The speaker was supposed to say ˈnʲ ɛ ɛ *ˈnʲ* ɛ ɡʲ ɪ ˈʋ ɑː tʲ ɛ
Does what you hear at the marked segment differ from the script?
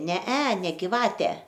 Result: no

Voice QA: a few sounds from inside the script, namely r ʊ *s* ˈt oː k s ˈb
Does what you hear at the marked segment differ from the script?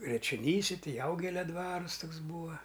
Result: no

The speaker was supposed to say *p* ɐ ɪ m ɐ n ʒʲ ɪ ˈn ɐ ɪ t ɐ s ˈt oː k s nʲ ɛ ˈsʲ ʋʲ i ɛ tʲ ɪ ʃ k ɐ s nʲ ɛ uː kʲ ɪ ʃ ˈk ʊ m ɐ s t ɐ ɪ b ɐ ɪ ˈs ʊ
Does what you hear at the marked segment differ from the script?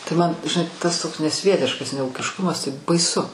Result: yes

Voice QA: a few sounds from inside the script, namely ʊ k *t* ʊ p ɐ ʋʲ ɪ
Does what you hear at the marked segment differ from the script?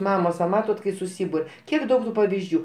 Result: no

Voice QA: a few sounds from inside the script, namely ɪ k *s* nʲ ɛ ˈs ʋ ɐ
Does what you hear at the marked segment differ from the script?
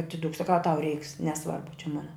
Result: no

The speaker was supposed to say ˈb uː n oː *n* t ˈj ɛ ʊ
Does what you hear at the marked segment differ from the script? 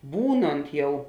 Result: no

